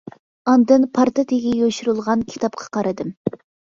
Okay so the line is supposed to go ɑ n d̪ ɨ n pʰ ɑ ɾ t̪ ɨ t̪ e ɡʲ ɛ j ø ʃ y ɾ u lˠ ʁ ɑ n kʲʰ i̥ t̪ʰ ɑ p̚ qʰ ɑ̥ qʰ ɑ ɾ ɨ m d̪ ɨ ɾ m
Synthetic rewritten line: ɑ n d̪ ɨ n pʰ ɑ ɾ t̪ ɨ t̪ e ɡʲ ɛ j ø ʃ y ɾ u lˠ ʁ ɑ n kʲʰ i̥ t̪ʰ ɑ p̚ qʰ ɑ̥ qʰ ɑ ɾ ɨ d̪ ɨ m